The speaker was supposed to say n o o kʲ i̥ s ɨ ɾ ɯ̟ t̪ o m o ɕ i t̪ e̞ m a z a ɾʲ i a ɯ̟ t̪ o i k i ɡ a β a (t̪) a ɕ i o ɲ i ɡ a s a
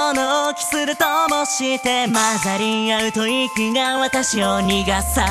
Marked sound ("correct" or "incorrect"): correct